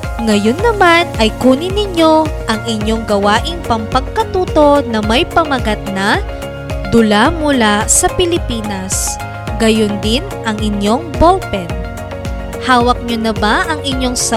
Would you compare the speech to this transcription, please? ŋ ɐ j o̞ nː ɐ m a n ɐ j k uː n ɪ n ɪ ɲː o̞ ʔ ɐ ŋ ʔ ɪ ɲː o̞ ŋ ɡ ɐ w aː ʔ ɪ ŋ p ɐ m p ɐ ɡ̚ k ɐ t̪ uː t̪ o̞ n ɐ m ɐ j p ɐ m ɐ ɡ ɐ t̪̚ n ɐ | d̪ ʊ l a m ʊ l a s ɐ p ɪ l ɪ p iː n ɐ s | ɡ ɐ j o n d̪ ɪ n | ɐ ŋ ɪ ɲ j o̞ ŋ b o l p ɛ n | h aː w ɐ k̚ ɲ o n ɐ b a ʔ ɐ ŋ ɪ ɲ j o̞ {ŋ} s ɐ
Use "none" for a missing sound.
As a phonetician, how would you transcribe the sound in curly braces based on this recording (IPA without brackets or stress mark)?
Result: ŋ